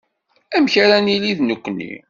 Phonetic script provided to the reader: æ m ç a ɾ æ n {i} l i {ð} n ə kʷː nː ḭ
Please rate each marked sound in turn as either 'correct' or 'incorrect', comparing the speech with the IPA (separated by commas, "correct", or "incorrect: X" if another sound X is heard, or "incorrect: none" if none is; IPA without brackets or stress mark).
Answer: correct, correct